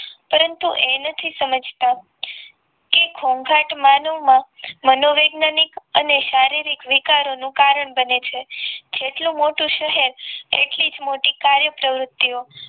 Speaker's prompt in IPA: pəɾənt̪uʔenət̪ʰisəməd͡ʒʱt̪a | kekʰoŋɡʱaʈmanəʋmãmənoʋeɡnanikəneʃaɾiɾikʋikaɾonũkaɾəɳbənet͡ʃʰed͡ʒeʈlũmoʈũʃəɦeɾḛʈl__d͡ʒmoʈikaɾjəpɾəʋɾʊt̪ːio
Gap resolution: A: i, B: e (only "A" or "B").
A